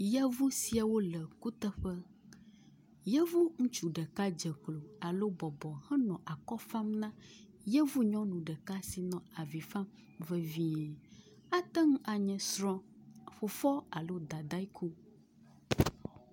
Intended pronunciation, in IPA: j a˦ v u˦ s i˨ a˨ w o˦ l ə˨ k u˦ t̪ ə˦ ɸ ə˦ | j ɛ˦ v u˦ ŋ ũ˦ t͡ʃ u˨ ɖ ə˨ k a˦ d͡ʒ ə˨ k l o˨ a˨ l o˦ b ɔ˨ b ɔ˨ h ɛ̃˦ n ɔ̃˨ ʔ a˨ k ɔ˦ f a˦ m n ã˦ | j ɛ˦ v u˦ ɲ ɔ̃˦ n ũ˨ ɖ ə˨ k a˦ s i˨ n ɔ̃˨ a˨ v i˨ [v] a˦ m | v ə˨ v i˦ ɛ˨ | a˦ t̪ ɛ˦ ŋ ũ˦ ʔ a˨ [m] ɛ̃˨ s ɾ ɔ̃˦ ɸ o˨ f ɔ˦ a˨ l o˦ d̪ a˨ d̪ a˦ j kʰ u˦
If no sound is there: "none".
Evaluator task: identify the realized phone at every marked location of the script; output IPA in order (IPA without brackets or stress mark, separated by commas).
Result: f, ɲ